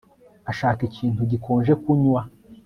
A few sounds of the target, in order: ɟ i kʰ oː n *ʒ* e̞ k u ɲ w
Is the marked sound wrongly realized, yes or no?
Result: no